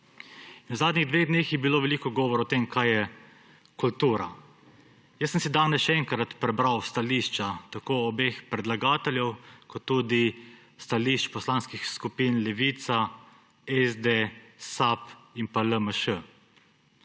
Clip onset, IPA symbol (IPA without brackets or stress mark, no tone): i